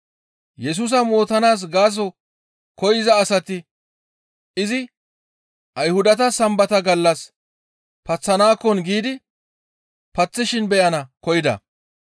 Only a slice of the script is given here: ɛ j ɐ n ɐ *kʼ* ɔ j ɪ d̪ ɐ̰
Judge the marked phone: incorrect: k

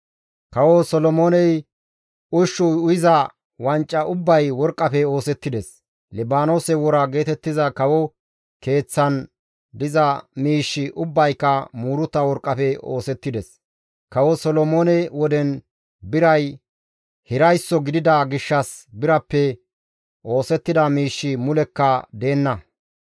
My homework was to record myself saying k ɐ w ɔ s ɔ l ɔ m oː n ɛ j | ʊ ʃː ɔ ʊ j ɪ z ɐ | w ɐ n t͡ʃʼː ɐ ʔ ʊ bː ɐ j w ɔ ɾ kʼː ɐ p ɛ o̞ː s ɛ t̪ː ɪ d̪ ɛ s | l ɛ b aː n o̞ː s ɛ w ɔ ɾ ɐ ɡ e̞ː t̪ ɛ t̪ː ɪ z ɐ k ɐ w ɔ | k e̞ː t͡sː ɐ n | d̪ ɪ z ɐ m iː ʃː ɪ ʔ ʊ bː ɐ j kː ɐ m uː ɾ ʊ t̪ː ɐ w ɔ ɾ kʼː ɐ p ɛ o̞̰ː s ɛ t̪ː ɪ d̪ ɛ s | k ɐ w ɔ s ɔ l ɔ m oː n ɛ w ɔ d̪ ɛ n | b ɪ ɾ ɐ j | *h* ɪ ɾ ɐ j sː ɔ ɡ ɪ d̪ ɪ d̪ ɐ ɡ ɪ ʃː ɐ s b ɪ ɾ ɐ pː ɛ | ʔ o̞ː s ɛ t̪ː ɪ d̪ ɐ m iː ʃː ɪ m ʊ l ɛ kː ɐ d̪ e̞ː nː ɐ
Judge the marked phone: correct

